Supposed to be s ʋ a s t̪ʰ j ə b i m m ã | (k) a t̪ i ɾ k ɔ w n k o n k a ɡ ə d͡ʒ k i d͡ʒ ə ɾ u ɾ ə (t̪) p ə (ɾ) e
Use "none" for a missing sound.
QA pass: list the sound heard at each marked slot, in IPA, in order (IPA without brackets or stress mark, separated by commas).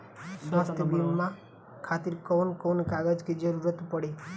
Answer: kʰ, t̪, ɽ